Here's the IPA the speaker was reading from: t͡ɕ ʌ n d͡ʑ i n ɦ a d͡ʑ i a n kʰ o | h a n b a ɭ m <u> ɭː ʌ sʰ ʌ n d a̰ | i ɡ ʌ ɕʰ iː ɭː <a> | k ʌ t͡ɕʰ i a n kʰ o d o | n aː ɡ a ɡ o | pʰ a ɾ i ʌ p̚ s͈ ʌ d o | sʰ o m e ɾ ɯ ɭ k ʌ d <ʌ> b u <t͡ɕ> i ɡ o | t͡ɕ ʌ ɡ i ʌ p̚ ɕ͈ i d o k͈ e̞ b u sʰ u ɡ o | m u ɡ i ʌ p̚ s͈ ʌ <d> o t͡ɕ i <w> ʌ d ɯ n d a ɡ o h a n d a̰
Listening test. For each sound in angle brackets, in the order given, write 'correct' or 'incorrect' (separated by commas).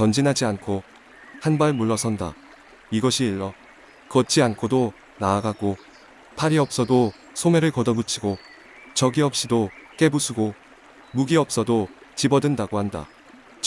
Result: correct, incorrect, correct, incorrect, correct, incorrect